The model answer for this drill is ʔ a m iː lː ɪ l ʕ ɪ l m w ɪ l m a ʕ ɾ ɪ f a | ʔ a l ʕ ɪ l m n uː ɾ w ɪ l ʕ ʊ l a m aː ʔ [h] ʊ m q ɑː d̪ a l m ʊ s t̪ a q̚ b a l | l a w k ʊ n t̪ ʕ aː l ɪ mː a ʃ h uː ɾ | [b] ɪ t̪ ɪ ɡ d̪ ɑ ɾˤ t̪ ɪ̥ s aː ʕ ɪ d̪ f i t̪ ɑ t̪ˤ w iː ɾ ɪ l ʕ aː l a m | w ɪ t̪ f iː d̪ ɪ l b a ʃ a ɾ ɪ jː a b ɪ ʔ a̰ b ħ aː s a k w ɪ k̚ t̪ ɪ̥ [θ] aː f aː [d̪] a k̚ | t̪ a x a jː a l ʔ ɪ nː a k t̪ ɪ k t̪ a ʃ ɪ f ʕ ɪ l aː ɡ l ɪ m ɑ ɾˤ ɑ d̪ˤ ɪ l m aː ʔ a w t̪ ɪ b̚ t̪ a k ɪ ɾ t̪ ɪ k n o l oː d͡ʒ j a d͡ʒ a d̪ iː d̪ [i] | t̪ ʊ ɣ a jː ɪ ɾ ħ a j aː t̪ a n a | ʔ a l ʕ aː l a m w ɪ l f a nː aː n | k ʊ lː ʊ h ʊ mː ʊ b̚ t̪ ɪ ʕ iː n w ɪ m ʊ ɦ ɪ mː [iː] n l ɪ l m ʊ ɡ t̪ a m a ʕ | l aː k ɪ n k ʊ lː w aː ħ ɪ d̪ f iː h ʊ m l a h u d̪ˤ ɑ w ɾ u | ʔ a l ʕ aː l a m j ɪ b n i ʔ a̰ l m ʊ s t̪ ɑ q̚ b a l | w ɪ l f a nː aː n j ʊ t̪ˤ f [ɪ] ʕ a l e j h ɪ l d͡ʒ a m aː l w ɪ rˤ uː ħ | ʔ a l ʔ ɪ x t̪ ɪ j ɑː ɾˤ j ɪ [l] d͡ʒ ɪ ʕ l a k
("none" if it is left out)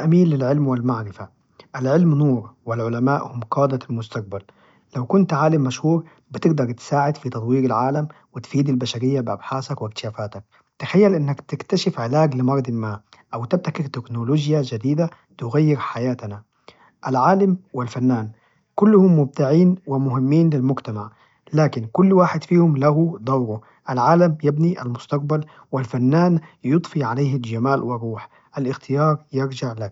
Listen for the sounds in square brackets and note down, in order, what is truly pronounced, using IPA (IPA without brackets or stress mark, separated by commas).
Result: h, b, ʃ, t̪, a, iː, i, ɾ